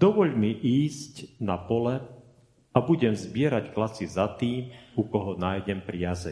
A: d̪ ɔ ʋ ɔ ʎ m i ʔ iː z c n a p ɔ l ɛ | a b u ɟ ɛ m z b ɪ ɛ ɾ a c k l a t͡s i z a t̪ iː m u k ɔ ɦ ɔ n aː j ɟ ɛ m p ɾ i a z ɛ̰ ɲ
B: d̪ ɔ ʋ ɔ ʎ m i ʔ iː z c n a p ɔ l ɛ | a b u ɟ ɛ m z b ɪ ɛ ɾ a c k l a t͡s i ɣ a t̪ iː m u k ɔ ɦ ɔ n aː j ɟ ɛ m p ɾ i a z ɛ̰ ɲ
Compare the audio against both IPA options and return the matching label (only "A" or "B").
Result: A